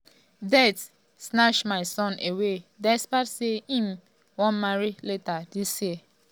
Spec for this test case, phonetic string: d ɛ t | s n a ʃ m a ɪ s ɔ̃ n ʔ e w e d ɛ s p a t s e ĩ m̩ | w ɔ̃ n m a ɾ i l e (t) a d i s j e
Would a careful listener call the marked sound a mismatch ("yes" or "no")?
no